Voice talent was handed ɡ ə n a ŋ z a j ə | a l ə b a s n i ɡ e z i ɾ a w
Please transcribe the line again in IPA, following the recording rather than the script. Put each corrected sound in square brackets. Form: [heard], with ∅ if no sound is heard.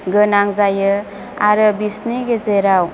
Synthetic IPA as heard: ɡ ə n a ŋ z a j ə | a [ɾ] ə b [i] s n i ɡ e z [e] ɾ a w